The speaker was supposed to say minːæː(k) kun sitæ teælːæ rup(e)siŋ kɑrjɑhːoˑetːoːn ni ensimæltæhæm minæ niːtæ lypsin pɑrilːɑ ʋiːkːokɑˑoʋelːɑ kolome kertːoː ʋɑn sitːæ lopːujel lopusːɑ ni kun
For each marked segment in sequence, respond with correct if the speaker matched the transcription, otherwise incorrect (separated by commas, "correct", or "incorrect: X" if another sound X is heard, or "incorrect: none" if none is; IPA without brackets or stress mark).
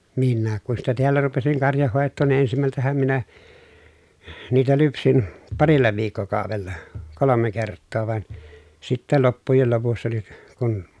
correct, correct